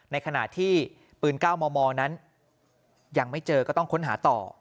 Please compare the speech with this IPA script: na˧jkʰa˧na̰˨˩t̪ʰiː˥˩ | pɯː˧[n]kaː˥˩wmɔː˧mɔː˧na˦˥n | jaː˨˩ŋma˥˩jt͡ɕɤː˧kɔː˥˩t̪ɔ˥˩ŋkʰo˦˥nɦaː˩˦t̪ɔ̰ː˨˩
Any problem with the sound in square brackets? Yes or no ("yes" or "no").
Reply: no